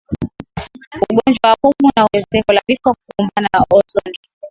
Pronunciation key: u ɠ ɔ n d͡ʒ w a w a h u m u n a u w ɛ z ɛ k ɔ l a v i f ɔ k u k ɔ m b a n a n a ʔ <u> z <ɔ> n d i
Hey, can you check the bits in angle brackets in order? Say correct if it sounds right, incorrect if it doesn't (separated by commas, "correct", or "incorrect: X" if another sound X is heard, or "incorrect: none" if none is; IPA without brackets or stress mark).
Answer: incorrect: ɔ, correct